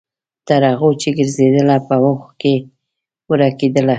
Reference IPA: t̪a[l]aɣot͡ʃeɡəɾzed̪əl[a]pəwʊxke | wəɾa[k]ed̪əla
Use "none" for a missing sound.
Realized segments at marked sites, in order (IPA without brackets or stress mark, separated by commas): ɾ, a, k